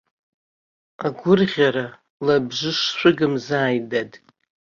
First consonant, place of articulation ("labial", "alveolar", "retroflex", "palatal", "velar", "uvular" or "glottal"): velar